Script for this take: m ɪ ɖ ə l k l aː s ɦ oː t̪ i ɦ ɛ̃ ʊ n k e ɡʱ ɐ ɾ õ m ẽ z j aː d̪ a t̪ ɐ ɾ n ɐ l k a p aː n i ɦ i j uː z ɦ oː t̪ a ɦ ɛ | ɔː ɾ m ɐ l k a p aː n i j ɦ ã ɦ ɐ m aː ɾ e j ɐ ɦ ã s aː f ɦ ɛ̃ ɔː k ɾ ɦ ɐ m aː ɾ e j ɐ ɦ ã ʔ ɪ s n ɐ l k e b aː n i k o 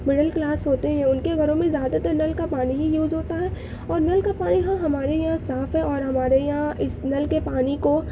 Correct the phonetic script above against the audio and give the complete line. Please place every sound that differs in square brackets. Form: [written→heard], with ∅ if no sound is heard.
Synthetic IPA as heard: m ɪ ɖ ə l k l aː s ɦ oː t̪ [i→e] ɦ ɛ̃ ʊ n k e ɡʱ ɐ ɾ õ m ẽ z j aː d̪ a t̪ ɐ ɾ n ɐ l k a p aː n i ɦ i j uː z ɦ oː t̪ a ɦ ɛ | ɔː ɾ [m→n] ɐ l k a p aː n i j ɦ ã ɦ ɐ m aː ɾ e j ɐ ɦ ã s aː f ɦ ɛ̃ ɔː [k→∅] ɾ ɦ ɐ m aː ɾ e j ɐ ɦ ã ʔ ɪ s n ɐ l k e [b→p] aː n i k o